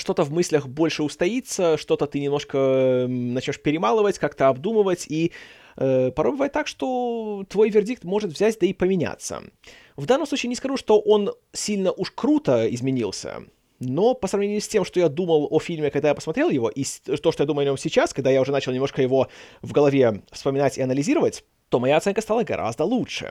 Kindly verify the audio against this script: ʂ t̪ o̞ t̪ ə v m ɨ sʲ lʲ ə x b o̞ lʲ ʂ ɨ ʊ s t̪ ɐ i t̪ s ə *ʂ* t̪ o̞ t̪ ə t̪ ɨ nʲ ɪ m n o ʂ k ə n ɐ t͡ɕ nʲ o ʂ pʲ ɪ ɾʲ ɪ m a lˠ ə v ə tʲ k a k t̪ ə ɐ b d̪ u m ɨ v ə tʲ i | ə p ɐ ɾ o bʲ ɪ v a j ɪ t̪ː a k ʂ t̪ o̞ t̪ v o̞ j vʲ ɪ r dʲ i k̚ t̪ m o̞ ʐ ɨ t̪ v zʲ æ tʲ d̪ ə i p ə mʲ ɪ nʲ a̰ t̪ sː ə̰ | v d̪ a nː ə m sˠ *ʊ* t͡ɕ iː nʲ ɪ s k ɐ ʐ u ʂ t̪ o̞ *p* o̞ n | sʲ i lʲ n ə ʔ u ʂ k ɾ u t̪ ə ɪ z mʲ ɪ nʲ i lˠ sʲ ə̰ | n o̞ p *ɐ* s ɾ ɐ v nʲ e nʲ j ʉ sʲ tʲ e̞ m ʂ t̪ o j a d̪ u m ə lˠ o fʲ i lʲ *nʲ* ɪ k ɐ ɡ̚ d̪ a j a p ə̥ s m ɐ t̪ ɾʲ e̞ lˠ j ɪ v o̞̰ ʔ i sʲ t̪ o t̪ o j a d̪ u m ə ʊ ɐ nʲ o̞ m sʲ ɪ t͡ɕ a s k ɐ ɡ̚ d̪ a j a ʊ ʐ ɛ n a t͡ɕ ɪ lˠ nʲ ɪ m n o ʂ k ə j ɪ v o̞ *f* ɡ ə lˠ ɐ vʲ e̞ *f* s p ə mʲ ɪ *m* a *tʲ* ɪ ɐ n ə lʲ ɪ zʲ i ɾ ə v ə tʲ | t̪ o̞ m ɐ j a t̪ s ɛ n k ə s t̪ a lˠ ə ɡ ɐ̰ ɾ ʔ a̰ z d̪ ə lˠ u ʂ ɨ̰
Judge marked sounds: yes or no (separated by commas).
yes, no, no, no, no, no, yes, no, yes